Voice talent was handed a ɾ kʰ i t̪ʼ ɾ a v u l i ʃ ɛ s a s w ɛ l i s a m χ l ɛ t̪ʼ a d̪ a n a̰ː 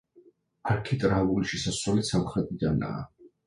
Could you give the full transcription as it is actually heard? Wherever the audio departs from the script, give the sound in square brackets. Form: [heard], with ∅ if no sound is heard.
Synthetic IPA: a ɾ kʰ i t̪ʼ ɾ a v u l i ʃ ɛ s a s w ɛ l i s a m χ [ɾ] ɛ t̪ʼ [i] d̪ a n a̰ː